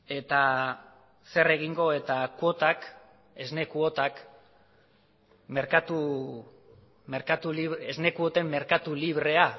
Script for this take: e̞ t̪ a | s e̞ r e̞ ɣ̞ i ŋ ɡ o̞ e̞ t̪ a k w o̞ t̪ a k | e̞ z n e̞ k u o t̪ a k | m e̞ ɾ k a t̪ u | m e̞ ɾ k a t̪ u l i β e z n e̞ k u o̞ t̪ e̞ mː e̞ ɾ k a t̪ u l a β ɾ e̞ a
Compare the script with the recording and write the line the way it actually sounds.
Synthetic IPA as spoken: e̞ t̪ a | s e̞ r e̞ ɣ̞ i ŋ ɡ o̞ e̞ t̪ a k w o̞ t̪ a k | e̞ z n e̞ k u o t̪ a k | m e̞ ɾ k a t̪ u | m e̞ ɾ k a t̪ u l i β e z n e̞ k u o̞ t̪ e̞ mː e̞ ɾ k a t̪ u l i β ɾ e̞ a

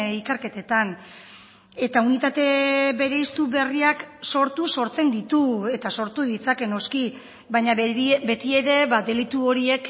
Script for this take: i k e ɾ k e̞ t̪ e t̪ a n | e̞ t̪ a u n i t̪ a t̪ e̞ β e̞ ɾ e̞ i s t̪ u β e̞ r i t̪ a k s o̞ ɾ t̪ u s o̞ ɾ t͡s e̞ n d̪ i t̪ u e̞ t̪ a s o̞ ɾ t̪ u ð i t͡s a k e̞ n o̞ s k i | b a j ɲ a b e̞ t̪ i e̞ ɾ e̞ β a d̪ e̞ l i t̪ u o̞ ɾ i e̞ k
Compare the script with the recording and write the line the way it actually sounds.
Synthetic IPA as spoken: i k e ɾ k e̞ t̪ e t̪ a n | e̞ t̪ a u n i t̪ a t̪ e̞ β e̞ ɾ e̞ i s t̪ u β e̞ r i a k s o̞ ɾ t̪ u s o̞ ɾ t͡s e̞ n d̪ i t̪ u e̞ t̪ a s o̞ ɾ t̪ u ð i t͡s a k e̞ n o̞ s k i | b a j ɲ a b e̞ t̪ i e̞ ɾ e̞ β a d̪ e̞ l i t̪ u o̞ ɾ i e̞ k

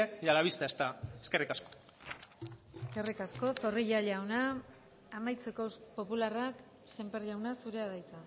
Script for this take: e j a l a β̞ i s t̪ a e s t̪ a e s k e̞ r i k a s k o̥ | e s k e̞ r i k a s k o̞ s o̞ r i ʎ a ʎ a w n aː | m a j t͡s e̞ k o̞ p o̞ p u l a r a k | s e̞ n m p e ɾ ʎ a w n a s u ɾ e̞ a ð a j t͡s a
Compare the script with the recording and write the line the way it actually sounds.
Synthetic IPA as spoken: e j a l a β̞ i s t̪ a e s t̪ a e s k e̞ r i k a s k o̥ | e s k e̞ r i k a s k o̞ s o̞ r i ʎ a ʎ a w n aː | m a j t͡s e̞ k o̞ p o̞ p u l a r a k | s e̞ m p e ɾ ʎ a w n a s u ɾ e̞ a ð a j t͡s a

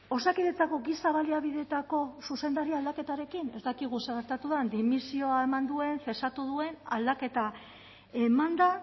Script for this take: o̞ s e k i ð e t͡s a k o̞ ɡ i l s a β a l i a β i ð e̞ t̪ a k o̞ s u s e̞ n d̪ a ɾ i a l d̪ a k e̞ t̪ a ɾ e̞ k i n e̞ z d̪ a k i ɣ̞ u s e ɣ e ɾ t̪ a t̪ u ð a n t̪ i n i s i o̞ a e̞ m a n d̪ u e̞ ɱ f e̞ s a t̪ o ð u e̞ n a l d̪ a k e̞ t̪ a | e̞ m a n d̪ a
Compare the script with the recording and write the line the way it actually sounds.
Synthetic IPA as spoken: o̞ s a k i ð e t͡s a k o̞ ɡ i s a β a l i a β i ð e̞ t̪ a k o̞ s u s e̞ n d̪ a ɾ i a l d̪ a k e̞ t̪ a ɾ e̞ k i n e̞ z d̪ a k i ɣ̞ u s e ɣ e ɾ t̪ a t̪ u ð a n d̪ i m i s i o̞ a e̞ m a n d̪ u e̞ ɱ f e̞ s a t̪ u ð u e̞ n a l d̪ a k e̞ t̪ a | e̞ m a n d̪ a

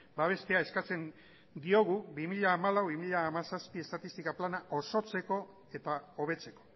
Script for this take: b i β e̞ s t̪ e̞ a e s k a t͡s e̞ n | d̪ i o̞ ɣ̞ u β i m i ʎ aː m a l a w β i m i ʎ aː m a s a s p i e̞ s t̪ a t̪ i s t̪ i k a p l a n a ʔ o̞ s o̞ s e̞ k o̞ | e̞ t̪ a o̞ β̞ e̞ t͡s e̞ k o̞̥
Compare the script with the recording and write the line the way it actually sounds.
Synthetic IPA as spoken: b a β e̞ s t̪ e̞ a e s k a t͡s e̞ n | d̪ i o̞ ɣ̞ u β i m i ʎ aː m a l a w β i m i ʎ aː m a s a s p i e̞ s t̪ a t̪ i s t̪ i k a p l a n a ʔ o̞ s o̞ t͡s e̞ k o̞ | e̞ t̪ a o̞ β̞ e̞ t͡s e̞ k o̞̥

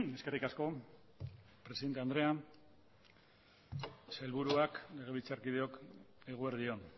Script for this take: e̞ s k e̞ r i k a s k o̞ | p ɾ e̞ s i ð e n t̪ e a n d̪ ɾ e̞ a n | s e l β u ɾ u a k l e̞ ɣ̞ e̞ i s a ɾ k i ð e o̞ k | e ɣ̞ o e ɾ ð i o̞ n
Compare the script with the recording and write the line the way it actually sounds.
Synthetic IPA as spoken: e̞ s k e̞ r i k a s k o̞ | p ɾ e̞ s i ð e n t̪ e a n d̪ ɾ e̞ a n | s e l β u ɾ u a k l e̞ ɣ̞ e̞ i t͡s a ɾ k i ð e o̞ k | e ɣ̞ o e ɾ ð i o̞ n

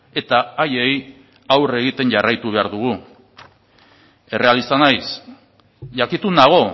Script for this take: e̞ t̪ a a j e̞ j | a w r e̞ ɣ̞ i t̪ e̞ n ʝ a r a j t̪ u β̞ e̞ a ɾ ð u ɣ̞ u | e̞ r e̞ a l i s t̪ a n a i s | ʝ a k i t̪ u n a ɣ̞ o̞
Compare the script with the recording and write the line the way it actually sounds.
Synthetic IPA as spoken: e̞ t̪ a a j e̞ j | a w r e̞ ɣ̞ i t̪ e̞ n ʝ a r a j t̪ u β̞ e̞ a ɾ ð u ɣ̞ u | e̞ r e̞ a l i s t̪ a n a j s | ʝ a k i t̪ u n a ɣ̞ o̞

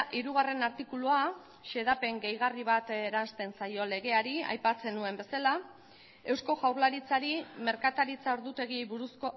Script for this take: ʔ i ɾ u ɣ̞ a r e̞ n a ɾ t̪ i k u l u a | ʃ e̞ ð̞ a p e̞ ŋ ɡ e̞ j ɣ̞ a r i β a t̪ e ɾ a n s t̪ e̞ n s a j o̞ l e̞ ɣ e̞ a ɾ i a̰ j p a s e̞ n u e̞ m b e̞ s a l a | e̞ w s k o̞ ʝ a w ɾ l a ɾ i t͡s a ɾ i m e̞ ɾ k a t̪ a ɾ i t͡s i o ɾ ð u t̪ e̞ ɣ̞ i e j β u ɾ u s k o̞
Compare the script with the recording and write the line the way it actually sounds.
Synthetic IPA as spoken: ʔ i ɾ u ɣ̞ a r e̞ n a ɾ t̪ i k u l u a | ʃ e̞ ð̞ a p e̞ ŋ ɡ e̞ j ɣ̞ a r i β a t̪ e ɾ a n s t̪ e̞ n s a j o̞ l e̞ ɣ e̞ a ɾ i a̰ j p a t͡s e̞ n u e̞ m b e̞ s a l a | e̞ w s k o̞ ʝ a w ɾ l a ɾ i t͡s a ɾ i m e̞ ɾ k a t̪ a ɾ i t͡s a o ɾ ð u t̪ e̞ ɣ̞ i e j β u ɾ u s k o̞

